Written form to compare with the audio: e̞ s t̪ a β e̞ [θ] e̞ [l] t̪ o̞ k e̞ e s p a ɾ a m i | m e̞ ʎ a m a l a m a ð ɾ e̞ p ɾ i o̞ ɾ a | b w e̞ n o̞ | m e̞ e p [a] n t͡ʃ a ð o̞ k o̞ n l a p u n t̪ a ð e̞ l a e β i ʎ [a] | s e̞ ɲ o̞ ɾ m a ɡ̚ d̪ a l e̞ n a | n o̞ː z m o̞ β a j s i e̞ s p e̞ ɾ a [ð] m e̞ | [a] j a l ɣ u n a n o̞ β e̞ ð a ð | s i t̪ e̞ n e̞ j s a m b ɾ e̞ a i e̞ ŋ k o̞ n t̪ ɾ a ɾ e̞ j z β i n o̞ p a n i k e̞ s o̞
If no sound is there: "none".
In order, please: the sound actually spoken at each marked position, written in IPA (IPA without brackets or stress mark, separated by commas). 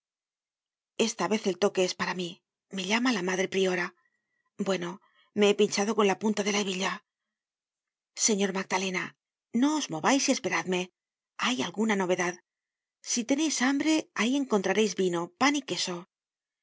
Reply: θ, l, i, a, ð, a